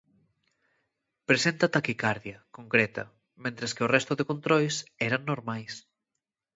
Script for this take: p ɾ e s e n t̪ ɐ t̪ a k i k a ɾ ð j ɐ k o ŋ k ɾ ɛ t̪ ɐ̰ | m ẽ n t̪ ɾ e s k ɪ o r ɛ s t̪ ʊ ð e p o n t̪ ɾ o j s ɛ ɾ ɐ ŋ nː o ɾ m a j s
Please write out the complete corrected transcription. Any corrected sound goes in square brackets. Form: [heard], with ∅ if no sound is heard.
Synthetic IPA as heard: p ɾ e s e n t̪ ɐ t̪ a k i k a ɾ ð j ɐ k o ŋ k ɾ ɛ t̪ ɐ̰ | m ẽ n t̪ ɾ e s k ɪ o r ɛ s t̪ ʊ ð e [k] o n t̪ ɾ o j s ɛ ɾ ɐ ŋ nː o ɾ m a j s